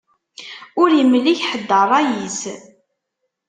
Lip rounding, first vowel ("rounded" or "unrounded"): rounded